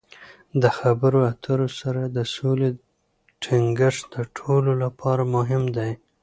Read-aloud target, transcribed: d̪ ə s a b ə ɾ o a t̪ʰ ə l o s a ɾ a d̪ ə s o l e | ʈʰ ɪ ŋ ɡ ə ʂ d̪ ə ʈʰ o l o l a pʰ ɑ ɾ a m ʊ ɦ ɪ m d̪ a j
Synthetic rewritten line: d̪ ə x a b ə ɾ o a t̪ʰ ə ɾ o s a ɾ a d̪ ə s o l e | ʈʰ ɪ ŋ ɡ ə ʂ d̪ ə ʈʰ o l o l a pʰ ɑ ɾ a m ʊ ɦ ɪ m d̪ a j